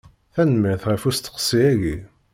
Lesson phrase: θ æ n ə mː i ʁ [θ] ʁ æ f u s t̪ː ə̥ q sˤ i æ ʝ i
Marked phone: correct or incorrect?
correct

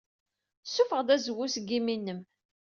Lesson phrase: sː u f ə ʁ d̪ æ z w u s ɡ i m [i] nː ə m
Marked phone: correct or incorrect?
correct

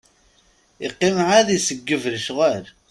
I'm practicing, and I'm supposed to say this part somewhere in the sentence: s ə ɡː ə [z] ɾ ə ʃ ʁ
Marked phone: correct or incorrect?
incorrect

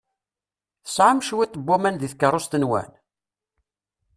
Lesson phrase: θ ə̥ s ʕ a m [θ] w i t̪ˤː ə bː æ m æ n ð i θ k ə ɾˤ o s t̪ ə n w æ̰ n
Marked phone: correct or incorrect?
incorrect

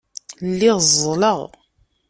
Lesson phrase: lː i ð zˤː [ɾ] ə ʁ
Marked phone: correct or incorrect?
incorrect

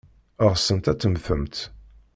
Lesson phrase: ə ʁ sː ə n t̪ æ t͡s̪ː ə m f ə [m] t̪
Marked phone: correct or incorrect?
correct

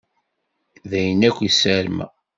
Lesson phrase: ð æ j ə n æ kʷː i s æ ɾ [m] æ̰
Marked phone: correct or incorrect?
correct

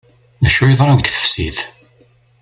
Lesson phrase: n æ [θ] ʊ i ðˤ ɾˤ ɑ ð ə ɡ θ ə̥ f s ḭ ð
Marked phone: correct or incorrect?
incorrect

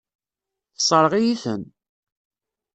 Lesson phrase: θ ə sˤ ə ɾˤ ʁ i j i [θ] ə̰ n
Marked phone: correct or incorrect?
correct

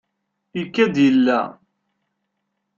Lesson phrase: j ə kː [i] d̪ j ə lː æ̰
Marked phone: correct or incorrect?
incorrect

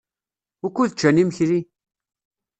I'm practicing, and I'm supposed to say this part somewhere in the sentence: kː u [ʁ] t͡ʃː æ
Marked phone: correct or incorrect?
incorrect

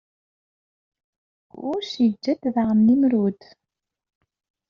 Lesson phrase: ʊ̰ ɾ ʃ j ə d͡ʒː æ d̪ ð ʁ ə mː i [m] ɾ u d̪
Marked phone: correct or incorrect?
correct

